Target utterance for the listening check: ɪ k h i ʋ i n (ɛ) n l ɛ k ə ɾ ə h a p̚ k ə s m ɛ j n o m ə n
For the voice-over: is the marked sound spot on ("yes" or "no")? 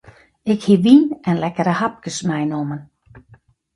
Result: yes